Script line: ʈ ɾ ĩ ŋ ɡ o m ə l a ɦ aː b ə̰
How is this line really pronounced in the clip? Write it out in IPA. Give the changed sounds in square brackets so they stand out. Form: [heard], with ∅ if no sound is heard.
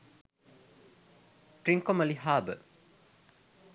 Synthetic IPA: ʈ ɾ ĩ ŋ [k] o m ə l [i] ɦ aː b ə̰